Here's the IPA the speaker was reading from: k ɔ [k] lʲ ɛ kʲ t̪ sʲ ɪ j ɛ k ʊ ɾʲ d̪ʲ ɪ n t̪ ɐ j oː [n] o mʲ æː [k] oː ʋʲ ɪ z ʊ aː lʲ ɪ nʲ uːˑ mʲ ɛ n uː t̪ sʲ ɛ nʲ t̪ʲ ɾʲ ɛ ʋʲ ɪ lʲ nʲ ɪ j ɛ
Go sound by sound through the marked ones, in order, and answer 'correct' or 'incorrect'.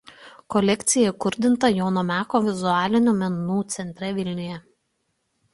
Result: incorrect: none, correct, correct

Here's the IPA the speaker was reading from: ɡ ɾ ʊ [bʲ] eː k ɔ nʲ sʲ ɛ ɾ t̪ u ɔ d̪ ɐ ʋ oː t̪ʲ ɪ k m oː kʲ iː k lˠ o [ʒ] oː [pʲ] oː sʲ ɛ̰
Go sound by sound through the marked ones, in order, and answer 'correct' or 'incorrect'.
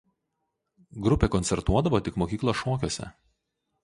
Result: incorrect: pʲ, incorrect: ʃ, incorrect: kʲ

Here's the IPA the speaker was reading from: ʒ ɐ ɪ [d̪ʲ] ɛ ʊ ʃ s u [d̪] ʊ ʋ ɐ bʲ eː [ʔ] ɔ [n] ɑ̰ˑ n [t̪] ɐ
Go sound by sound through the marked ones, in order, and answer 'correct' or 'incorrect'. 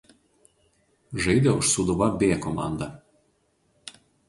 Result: correct, correct, incorrect: k, incorrect: m, incorrect: d̪

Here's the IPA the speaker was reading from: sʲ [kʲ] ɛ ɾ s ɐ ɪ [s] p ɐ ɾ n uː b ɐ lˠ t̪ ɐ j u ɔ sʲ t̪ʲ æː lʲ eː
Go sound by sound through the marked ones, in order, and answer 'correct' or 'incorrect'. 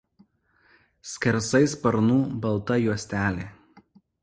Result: correct, correct

